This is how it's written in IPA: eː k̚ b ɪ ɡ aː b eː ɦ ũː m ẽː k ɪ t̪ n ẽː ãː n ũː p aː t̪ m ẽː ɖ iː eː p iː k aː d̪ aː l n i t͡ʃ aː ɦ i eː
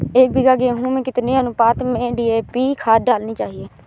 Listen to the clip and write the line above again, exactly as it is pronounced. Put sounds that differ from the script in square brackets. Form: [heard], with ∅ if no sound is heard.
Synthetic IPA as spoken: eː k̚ b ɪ ɡ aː [ɡ] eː ɦ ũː m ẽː k ɪ t̪ n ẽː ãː n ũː p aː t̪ m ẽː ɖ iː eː p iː [kʰ] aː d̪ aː l n [iː] t͡ʃ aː ɦ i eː